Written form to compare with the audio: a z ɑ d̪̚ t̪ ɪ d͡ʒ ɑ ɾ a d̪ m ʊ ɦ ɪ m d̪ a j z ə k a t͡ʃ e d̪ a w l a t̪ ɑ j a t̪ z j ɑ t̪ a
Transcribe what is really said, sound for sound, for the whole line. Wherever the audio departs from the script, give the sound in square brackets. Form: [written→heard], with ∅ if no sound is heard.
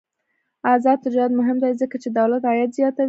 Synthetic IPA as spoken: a z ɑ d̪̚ t̪ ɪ d͡ʒ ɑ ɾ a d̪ m ʊ ɦ ɪ m d̪ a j z ə k a t͡ʃ e d̪ a w l a t̪ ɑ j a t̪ z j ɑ t̪ a